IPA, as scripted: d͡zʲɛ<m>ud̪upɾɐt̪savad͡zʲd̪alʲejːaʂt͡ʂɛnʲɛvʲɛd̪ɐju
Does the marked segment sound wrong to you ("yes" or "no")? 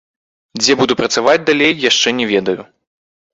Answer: yes